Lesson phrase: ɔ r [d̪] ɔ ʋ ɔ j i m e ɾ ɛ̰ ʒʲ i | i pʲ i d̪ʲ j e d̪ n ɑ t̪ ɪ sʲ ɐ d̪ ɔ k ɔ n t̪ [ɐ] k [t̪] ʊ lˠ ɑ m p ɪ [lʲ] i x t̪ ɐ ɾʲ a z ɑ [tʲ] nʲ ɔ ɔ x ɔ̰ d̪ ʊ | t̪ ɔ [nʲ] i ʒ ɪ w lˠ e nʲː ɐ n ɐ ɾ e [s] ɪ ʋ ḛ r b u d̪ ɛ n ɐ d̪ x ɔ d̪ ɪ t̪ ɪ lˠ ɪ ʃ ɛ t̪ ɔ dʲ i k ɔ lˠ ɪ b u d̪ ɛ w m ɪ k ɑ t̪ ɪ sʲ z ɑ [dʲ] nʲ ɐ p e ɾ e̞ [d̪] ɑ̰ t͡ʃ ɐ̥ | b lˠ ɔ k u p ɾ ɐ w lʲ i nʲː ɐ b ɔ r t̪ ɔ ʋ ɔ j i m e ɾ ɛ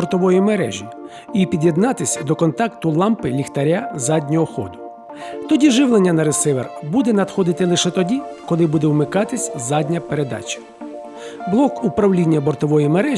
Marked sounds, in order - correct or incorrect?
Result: incorrect: t̪, incorrect: ɑ, correct, correct, incorrect: dʲ, incorrect: dʲ, correct, correct, correct

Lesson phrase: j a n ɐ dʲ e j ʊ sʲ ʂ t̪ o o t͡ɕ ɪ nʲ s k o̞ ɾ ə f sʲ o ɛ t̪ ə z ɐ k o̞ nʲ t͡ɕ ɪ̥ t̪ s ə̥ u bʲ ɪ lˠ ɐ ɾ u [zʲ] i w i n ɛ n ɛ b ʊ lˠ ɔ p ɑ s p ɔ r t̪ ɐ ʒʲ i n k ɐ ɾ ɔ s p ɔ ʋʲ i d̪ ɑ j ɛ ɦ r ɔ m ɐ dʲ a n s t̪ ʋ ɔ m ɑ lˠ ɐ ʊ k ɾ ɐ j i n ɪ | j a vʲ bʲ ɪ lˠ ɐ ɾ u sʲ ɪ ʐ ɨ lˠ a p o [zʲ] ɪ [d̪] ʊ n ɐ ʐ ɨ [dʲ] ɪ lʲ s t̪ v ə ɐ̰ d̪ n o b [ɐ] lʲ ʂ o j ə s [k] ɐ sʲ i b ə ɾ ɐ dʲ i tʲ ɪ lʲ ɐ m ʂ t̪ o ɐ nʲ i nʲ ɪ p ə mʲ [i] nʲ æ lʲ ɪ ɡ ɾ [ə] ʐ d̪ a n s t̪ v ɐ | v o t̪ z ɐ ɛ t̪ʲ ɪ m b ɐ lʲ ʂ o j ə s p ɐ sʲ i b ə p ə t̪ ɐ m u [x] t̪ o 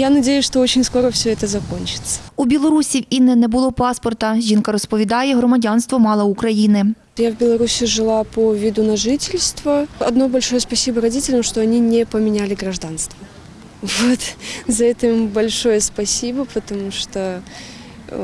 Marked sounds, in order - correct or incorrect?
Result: incorrect: sʲ, incorrect: vʲ, correct, incorrect: tʲ, correct, incorrect: p, incorrect: ɪ, incorrect: ɐ, incorrect: ʂ

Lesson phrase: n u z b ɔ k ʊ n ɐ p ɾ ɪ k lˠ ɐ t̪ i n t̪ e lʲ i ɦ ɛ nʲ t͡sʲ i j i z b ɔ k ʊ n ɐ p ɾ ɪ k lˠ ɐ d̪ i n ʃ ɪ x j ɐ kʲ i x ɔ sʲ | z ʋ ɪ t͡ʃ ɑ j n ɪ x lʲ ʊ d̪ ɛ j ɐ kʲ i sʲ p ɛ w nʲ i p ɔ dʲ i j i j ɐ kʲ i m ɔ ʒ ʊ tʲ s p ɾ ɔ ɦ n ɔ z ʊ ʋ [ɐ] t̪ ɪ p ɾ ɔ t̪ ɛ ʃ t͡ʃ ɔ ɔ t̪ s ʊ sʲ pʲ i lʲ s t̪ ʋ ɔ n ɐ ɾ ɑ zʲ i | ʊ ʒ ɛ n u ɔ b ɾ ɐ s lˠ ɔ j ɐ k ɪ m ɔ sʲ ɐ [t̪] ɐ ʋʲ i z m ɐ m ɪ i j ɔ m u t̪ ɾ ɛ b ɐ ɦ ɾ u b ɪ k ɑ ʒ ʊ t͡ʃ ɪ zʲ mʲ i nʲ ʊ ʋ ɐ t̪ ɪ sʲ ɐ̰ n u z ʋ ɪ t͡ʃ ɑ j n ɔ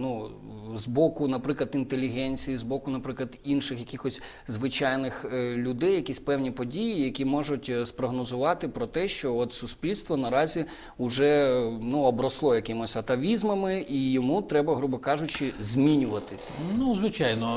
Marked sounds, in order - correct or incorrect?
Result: incorrect: ɑ, correct

